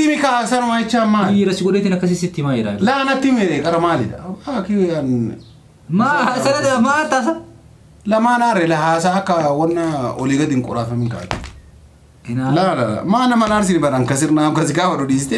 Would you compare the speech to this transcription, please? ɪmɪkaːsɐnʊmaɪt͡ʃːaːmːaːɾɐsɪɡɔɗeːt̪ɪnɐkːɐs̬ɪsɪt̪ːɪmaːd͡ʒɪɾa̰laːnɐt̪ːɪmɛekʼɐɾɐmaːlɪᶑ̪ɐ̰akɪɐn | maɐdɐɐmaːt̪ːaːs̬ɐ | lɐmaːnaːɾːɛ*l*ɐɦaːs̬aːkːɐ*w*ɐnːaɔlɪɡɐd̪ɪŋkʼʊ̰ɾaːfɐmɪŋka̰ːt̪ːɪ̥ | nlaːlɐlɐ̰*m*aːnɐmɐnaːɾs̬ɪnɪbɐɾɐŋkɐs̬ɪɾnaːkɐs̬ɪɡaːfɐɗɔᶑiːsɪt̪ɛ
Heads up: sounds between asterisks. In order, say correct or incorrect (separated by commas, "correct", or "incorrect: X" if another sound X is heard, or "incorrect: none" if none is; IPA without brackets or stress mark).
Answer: correct, correct, correct